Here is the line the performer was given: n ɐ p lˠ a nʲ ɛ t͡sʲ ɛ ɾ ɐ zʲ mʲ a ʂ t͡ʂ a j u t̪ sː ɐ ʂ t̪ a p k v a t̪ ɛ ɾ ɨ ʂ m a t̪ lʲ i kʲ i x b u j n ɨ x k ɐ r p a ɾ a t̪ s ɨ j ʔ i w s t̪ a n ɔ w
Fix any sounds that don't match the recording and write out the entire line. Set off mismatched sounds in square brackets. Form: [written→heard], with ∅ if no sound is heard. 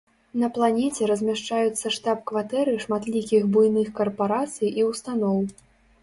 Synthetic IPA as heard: n ɐ p lˠ a nʲ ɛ t͡sʲ ɛ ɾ ɐ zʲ mʲ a ʂ t͡ʂ a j u t̪ sː ɐ ʂ t̪ a p k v a t̪ ɛ ɾ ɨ ʂ m a t̪ lʲ i kʲ i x b u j n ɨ x k ɐ r p a ɾ a t̪ s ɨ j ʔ i w s t̪ a n ɔ w